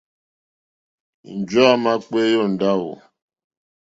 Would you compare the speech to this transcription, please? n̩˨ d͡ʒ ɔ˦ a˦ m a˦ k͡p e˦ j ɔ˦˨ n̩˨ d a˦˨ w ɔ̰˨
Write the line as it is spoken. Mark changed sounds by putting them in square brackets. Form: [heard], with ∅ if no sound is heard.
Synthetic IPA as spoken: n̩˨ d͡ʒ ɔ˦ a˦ m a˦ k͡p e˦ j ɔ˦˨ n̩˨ d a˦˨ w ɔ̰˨